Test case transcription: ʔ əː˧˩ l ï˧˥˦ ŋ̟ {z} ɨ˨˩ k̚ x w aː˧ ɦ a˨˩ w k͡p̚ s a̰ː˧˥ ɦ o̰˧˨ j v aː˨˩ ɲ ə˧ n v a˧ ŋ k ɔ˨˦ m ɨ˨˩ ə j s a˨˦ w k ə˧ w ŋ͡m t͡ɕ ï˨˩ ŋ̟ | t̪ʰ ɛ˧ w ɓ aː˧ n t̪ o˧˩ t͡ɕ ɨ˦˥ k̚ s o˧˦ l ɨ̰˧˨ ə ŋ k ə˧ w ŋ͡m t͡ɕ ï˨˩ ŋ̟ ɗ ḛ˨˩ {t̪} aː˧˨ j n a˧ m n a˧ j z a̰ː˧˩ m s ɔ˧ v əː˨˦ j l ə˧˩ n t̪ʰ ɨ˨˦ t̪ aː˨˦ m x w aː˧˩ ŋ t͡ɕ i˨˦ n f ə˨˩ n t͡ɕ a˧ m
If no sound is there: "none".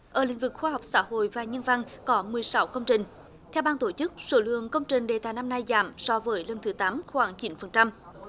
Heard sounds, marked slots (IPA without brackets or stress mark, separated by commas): v, t̪